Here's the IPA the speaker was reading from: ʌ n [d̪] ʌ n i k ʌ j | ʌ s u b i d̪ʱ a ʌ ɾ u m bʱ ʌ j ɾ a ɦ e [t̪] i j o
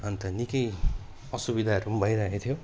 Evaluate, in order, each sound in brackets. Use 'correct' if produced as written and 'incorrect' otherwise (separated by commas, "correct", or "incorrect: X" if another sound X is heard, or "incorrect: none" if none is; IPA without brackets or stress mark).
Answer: incorrect: t̪, incorrect: t̪ʰ